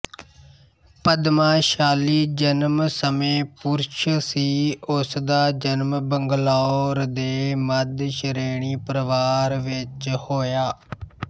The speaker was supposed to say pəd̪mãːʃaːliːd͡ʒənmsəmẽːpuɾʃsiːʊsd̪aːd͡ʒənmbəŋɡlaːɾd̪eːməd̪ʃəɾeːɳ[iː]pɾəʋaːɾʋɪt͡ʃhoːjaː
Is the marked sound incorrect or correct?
correct